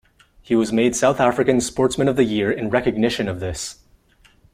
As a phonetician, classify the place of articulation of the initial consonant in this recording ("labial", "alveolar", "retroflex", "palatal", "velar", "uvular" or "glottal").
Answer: glottal